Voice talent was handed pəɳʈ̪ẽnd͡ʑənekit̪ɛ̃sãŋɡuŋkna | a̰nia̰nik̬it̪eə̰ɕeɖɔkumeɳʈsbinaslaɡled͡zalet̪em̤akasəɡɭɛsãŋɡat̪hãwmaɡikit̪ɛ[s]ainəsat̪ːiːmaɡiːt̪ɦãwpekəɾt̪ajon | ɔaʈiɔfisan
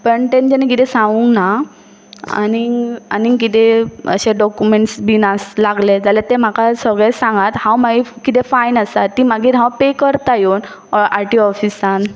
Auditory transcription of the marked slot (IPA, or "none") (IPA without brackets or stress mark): f